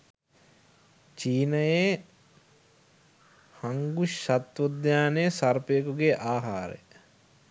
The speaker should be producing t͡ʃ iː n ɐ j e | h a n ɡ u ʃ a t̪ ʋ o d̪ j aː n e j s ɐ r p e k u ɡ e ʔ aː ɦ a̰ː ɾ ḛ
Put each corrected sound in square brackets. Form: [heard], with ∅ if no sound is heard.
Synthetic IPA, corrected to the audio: t͡ʃ iː n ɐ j e | h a [ŋ] ɡ u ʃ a t̪ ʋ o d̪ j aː n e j s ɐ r p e k u ɡ e ʔ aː ɦ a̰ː ɾ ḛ